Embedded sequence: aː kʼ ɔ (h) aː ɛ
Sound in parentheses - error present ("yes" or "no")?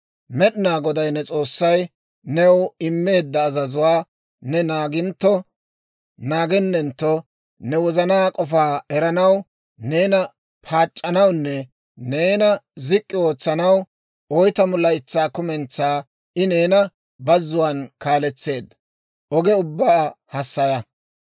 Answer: yes